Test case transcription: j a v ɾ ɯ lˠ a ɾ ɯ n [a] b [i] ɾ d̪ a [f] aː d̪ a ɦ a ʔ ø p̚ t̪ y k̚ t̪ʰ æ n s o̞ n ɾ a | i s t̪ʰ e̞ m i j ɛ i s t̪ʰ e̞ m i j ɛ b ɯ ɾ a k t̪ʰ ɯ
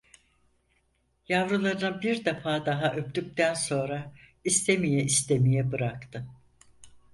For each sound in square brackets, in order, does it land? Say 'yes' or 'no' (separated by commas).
yes, yes, yes